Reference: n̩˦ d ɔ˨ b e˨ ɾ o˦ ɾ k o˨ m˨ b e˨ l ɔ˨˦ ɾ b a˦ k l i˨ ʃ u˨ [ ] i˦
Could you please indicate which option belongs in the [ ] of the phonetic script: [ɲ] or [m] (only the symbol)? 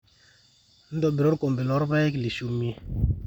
m